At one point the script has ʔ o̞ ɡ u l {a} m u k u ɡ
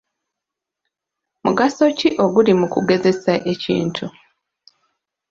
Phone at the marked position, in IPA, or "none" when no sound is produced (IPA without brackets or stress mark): i